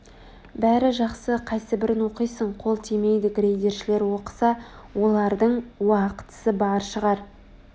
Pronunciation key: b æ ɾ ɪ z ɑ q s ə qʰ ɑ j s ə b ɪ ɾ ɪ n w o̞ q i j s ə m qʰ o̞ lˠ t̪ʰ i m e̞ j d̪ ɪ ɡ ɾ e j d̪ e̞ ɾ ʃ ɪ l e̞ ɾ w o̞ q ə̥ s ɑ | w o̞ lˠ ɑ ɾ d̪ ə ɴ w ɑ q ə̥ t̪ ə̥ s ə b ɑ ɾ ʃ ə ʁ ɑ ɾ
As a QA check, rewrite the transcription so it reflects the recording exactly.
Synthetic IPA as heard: b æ ɾ ɪ ʒ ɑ q s ə qʰ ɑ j s ə b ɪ ɾ ɪ n w o̞ q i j s ə ɴ qʰ o̞ lˠ t̪ʰ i m e̞ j d̪ ɪ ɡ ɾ e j d̪ e̞ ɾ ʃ ɪ l e̞ ɾ w o̞ q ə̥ s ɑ | w o̞ lˠ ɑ ɾ d̪ ə ɴ w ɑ q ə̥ t̪ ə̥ s ə b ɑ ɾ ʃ ə ʁ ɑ ɾ